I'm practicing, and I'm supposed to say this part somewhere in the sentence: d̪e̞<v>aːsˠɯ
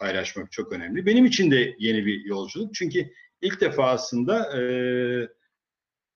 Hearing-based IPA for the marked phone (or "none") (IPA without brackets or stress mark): f